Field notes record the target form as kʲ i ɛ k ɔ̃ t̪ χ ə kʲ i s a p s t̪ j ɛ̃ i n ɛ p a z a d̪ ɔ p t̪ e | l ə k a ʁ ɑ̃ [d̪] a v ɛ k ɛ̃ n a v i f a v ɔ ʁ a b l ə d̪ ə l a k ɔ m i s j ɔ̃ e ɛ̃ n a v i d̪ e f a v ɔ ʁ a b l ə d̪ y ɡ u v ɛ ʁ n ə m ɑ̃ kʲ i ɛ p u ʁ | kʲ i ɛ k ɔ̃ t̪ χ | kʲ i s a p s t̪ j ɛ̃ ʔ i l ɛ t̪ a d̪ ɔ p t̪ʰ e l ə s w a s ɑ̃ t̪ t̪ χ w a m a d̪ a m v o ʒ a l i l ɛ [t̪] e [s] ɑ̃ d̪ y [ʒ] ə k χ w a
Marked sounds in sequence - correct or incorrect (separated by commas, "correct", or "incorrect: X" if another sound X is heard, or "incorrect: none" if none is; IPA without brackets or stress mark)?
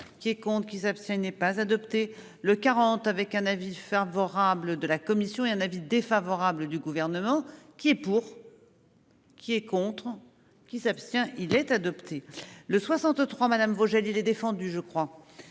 incorrect: t̪, incorrect: d̪, incorrect: f, correct